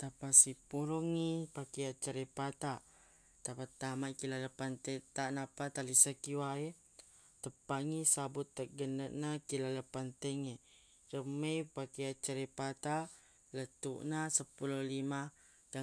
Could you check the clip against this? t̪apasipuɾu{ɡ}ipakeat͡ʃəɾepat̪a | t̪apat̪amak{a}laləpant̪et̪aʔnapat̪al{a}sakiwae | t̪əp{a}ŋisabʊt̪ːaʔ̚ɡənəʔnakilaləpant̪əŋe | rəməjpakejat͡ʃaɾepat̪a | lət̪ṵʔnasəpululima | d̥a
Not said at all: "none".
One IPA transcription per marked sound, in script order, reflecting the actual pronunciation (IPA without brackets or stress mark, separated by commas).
ŋ, i, i, a